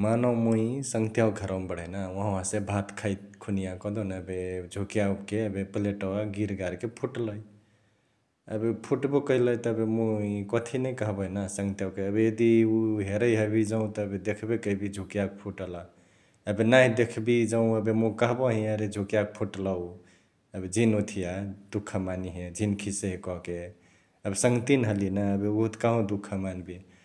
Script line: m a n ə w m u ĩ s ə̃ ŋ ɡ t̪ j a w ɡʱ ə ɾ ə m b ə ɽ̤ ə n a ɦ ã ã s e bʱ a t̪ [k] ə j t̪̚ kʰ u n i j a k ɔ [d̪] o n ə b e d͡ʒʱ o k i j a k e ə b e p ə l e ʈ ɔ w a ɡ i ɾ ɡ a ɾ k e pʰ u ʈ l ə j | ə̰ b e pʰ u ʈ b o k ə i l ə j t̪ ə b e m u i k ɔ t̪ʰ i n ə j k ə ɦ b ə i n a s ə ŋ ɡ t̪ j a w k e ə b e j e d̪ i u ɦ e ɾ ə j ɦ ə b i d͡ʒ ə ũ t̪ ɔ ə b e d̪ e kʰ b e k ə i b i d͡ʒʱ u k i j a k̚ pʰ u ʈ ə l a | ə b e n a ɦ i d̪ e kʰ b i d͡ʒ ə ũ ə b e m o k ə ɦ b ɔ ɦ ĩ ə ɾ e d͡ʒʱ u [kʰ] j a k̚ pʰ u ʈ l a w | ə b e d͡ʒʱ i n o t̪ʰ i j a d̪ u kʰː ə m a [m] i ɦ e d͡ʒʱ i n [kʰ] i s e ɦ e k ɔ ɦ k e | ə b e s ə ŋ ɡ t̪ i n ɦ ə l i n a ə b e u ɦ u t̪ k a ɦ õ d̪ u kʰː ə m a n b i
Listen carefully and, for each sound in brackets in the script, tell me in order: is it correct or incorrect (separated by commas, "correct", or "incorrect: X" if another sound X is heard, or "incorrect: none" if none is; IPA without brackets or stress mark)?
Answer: incorrect: kʰ, correct, incorrect: k, incorrect: n, correct